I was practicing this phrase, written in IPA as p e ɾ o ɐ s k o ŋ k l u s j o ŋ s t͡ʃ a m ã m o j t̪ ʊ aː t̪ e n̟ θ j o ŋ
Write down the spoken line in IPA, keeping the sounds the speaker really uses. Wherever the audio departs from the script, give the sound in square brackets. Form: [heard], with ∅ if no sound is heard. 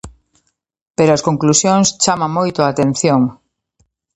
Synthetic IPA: p e ɾ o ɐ s k o ŋ k l u s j o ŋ s t͡ʃ a m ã m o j t̪ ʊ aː t̪ e n̟ θ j o ŋ